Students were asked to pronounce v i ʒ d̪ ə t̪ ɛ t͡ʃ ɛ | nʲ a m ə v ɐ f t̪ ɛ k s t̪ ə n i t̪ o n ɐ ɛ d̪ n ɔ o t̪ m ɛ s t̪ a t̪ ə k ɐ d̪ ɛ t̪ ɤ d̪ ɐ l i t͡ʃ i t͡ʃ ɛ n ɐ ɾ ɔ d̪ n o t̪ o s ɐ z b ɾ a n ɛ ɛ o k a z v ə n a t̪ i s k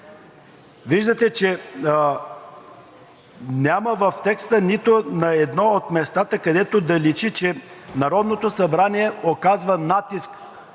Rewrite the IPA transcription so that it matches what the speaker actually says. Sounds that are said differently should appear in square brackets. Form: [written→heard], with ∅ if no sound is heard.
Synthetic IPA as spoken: v i ʒ d̪ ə t̪ ɛ t͡ʃ ɛ | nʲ a m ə v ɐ f t̪ ɛ k s t̪ ə n i t̪ o n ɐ ɛ d̪ n ɔ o t̪ m ɛ s t̪ a t̪ ə k ɐ d̪ ɛ t̪ [ɤ→o] d̪ ɐ l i t͡ʃ i t͡ʃ ɛ n ɐ ɾ ɔ d̪ n o t̪ o s ɐ [z→∅] b ɾ a n [ɛ→i] ɛ o k a z v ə n a t̪ i s k